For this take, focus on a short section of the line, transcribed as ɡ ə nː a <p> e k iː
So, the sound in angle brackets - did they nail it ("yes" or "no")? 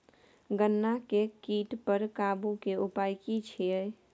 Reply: no